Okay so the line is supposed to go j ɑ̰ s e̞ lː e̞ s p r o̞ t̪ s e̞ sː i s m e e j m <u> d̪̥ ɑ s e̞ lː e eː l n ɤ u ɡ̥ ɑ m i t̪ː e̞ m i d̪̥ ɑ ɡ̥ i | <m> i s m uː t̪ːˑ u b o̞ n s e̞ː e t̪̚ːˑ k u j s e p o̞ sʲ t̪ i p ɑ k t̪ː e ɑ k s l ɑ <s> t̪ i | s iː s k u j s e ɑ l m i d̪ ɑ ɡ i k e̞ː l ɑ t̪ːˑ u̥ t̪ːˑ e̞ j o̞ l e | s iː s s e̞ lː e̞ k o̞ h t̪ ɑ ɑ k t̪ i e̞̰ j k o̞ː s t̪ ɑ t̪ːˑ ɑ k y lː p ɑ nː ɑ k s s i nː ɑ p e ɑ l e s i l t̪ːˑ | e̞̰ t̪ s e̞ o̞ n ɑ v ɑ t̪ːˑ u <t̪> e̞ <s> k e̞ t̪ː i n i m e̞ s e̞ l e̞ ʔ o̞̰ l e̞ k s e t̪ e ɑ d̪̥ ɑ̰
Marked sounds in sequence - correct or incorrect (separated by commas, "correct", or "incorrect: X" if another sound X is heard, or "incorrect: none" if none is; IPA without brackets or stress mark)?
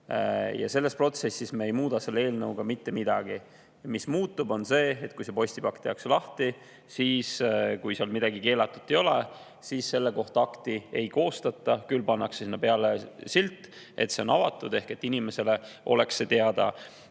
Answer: incorrect: uː, correct, incorrect: h, incorrect: d̪, incorrect: h